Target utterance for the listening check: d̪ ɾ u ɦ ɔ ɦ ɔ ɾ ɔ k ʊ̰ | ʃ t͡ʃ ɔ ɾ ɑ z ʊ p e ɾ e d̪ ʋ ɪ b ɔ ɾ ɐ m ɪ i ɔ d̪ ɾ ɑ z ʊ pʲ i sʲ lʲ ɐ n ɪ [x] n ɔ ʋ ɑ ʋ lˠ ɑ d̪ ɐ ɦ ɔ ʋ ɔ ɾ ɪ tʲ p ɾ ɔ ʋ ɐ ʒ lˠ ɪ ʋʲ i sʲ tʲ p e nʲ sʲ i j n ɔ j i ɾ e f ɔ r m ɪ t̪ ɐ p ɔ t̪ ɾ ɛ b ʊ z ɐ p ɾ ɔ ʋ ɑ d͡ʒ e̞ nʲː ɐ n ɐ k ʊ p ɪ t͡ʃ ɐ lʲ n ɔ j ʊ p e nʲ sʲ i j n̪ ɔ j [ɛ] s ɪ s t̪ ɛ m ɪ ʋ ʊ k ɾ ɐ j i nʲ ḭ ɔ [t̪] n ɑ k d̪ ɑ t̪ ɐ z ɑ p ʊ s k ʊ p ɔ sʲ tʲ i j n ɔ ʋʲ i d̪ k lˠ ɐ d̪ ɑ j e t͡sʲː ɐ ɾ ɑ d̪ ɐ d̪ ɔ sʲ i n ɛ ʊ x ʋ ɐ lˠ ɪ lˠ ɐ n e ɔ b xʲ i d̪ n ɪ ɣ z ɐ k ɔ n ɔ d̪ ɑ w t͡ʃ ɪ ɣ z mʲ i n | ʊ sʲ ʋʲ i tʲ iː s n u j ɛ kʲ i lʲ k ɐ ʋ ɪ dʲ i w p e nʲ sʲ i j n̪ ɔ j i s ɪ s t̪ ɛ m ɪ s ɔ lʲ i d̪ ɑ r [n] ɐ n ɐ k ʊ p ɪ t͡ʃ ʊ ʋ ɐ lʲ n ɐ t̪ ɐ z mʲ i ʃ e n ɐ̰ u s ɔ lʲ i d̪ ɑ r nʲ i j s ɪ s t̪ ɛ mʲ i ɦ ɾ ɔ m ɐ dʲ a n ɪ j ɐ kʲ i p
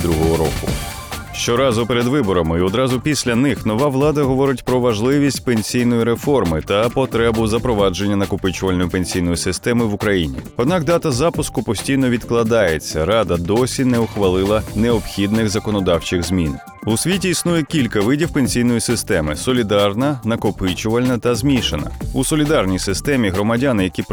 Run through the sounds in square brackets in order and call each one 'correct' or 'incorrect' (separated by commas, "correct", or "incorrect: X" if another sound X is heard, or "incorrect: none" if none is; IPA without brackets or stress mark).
correct, incorrect: i, incorrect: d̪, correct